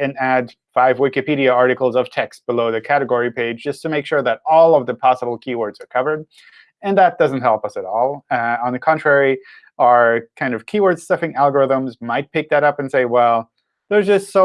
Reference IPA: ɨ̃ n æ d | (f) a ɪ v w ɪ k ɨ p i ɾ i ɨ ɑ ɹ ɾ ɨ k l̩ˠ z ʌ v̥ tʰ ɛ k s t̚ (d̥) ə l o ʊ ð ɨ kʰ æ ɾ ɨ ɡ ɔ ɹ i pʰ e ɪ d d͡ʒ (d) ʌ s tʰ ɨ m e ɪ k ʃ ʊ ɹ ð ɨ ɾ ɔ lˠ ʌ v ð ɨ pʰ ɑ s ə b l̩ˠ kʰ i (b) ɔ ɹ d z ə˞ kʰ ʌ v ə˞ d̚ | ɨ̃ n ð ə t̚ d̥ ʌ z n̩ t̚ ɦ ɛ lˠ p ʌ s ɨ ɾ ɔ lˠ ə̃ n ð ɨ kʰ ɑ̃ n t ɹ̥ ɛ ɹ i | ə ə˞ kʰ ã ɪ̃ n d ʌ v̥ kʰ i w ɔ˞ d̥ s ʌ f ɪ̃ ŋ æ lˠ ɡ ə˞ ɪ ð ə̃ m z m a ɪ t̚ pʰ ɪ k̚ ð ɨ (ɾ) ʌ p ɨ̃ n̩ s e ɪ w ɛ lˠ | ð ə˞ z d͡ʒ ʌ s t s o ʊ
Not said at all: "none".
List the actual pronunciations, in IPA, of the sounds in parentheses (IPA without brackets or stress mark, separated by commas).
f, b̥, d͡ʒ, w, ɾ